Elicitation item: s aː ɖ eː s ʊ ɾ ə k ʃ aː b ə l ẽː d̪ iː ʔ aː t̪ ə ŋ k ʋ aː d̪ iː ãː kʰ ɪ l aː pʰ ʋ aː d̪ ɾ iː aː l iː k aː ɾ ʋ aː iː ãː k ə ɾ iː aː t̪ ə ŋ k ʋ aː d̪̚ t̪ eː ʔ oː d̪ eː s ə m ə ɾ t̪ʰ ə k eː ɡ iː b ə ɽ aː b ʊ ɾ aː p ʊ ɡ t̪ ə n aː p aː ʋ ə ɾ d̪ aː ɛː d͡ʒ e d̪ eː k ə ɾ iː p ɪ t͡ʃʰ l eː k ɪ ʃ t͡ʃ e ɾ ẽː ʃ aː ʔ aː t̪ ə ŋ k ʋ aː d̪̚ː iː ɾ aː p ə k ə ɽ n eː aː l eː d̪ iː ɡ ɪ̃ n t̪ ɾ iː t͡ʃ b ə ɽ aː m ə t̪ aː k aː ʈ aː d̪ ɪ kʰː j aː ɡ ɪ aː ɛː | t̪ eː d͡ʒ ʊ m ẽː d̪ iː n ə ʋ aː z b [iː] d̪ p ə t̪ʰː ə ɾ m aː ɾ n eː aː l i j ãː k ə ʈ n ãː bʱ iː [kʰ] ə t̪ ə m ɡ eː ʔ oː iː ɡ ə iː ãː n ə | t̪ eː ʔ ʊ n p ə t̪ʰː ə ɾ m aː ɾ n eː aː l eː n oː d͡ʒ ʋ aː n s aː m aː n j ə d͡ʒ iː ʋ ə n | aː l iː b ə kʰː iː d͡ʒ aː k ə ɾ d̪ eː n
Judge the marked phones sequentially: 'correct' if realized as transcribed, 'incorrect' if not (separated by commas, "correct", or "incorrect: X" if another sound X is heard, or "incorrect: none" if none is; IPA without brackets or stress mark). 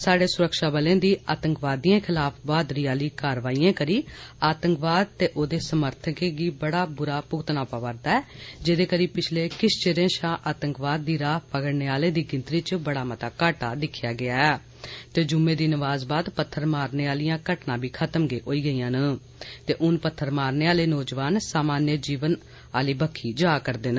incorrect: aː, correct